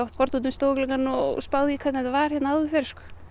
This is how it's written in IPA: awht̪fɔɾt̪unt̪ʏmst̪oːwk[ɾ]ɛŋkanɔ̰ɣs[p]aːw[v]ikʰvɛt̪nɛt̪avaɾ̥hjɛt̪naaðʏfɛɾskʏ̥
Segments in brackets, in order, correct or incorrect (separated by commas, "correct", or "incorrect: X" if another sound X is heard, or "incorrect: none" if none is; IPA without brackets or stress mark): incorrect: l, correct, incorrect: ð